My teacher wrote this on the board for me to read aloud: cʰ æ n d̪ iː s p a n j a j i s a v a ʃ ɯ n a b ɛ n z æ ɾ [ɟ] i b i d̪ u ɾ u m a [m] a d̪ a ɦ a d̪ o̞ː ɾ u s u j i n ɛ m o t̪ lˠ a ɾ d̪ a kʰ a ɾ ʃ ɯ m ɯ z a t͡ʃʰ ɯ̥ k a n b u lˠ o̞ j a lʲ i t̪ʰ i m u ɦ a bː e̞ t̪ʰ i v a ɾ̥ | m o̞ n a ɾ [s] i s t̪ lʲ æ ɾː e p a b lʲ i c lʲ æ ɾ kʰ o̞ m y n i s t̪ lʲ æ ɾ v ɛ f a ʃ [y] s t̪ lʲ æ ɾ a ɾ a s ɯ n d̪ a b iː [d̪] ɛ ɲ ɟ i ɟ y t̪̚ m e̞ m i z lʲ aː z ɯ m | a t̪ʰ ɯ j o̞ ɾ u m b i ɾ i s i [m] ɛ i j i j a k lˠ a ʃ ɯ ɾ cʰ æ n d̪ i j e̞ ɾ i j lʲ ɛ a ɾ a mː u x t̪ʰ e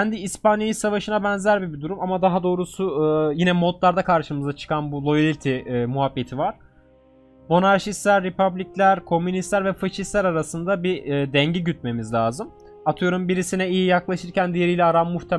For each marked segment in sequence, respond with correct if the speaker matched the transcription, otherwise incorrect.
incorrect: b, correct, incorrect: ʃ, incorrect: i, correct, incorrect: n

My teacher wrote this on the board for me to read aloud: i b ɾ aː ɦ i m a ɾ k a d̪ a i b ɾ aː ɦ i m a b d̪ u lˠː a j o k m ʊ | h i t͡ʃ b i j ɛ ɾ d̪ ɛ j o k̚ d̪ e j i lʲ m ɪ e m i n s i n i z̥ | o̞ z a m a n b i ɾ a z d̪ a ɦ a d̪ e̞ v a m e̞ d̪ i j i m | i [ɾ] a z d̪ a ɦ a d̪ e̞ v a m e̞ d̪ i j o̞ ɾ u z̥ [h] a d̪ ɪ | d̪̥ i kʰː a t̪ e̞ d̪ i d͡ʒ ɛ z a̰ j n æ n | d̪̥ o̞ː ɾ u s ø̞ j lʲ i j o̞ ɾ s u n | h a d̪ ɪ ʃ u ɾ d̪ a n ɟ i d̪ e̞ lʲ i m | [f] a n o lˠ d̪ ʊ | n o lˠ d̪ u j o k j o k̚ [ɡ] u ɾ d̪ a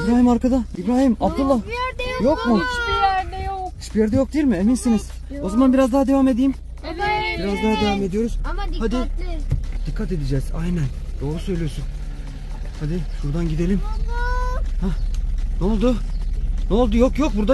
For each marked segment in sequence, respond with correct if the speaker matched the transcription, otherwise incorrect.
correct, correct, incorrect: h, incorrect: b

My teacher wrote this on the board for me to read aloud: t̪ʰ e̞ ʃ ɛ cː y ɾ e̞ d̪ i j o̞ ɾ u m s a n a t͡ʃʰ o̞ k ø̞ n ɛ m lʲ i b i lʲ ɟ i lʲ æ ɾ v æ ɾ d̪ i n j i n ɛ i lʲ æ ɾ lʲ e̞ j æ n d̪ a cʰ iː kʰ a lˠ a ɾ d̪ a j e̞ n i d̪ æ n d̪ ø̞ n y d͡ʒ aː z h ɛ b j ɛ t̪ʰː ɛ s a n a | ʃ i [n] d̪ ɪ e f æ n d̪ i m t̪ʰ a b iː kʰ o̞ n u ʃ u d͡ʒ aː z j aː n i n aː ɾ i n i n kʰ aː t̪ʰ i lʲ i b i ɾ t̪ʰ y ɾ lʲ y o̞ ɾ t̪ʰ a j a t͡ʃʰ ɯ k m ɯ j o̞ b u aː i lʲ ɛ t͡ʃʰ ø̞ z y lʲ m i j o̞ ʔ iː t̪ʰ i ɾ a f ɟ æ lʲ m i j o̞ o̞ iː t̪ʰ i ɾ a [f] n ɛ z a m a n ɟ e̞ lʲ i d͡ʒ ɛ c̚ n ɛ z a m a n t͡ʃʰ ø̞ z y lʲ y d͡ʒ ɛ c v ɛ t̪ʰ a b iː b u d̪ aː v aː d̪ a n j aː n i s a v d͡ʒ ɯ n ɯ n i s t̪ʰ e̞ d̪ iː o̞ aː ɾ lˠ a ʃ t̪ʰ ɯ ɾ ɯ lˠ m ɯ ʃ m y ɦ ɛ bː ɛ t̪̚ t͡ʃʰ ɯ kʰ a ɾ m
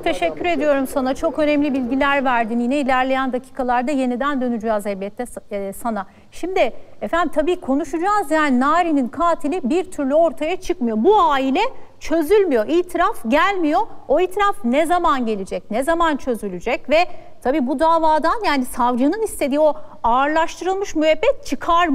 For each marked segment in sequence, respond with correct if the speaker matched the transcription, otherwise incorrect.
incorrect: m, correct

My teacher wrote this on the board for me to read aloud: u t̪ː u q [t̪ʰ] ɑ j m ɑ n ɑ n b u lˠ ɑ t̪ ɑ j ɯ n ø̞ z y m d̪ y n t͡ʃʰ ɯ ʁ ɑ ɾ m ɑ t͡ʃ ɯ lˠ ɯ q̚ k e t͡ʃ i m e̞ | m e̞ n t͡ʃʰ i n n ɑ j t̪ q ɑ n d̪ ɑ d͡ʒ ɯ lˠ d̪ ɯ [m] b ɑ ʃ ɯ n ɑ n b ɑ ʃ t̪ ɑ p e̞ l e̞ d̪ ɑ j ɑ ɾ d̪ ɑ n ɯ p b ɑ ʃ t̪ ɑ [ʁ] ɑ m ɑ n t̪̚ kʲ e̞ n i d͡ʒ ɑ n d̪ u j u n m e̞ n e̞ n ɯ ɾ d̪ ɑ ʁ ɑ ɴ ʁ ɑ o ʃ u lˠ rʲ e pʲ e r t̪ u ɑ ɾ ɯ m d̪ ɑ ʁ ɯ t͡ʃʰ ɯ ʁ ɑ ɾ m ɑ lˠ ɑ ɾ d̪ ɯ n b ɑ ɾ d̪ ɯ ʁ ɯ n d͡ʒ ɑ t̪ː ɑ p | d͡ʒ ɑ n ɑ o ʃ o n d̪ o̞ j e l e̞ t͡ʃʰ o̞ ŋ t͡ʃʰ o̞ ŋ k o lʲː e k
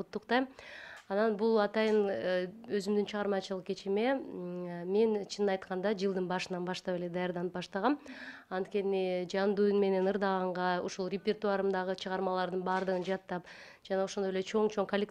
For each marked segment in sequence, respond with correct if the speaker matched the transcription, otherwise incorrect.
incorrect: t̪, incorrect: n, correct

